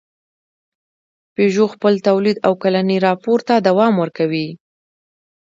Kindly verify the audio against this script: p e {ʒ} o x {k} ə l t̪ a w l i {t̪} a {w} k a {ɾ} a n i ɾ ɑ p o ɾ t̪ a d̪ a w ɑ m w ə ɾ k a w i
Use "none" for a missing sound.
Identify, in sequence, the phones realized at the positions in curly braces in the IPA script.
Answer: ʒ, p, d̪, w, l

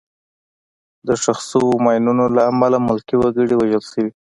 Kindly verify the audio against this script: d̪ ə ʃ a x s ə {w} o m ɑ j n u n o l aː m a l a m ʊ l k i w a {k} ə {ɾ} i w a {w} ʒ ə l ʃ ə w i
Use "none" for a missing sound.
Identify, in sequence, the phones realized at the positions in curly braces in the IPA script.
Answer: w, ɡ, ɽ, none

